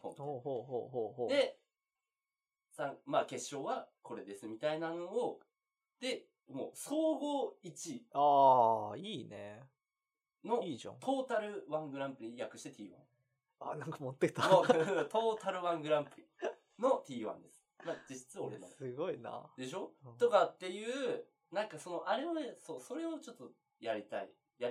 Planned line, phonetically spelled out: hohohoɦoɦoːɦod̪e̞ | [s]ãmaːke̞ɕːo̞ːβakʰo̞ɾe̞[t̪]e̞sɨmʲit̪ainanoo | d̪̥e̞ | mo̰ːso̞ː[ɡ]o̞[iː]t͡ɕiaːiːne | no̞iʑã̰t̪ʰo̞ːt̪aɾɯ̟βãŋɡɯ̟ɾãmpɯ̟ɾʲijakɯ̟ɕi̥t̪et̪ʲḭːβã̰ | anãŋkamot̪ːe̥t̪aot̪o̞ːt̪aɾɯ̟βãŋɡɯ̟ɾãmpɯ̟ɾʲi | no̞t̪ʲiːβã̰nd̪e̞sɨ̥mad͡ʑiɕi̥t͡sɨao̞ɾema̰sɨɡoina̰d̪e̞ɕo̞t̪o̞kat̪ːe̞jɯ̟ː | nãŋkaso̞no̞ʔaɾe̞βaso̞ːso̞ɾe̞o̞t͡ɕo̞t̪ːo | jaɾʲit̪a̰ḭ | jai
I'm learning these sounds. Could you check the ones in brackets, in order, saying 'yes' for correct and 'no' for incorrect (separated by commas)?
yes, no, yes, no